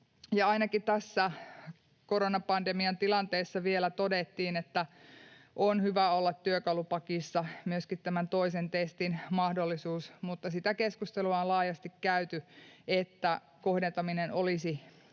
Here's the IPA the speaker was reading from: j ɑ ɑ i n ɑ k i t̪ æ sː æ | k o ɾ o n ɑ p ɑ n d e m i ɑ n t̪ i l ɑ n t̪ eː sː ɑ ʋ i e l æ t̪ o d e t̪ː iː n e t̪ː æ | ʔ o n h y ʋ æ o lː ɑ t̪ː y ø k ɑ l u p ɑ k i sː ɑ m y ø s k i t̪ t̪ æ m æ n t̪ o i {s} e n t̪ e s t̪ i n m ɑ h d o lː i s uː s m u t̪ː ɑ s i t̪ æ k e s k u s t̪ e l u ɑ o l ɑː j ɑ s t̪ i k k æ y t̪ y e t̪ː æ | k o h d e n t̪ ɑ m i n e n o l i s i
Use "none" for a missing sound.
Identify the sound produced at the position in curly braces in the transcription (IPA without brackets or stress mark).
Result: s